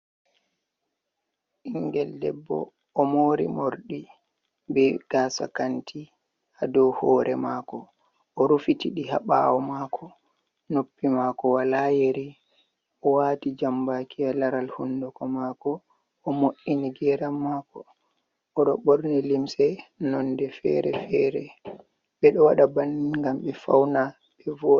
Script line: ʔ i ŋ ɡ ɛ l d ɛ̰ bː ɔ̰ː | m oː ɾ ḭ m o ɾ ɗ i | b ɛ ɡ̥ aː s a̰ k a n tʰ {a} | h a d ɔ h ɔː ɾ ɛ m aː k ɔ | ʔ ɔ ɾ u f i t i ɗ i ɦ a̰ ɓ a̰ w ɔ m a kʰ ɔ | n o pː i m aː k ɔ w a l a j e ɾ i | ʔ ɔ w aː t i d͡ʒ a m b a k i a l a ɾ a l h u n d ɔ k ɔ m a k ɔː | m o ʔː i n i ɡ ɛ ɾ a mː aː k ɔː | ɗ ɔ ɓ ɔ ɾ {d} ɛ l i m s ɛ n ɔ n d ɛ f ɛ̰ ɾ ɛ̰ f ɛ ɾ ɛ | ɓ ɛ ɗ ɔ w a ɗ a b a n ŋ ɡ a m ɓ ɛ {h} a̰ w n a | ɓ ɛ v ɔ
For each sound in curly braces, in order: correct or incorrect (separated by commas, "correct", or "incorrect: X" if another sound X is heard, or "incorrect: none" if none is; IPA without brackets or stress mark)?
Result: incorrect: i, incorrect: n, incorrect: f